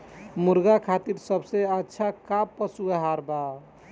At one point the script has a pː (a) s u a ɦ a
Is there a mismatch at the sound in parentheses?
yes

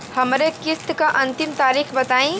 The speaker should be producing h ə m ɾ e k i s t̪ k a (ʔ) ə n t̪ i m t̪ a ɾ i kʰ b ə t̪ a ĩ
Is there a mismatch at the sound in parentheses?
no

